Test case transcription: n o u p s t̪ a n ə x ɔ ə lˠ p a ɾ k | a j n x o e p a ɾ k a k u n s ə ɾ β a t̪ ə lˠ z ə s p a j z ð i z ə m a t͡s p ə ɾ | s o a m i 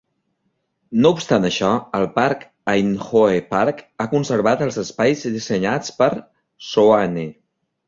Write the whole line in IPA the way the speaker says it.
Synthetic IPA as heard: n o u p s t̪ a n ə ʃ ɔ ə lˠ p a ɾ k | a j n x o e p a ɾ k a k u n s ə ɾ β a t̪ ə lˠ z ə s p a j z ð i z ə ɲ a t͡s p ə ɾ | s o a n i